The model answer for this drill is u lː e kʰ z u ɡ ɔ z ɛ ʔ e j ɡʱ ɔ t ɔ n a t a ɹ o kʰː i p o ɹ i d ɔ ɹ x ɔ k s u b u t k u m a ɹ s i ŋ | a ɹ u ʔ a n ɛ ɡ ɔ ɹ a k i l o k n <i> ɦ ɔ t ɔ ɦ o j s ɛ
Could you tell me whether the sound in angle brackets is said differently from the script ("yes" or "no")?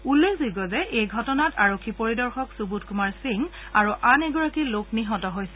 no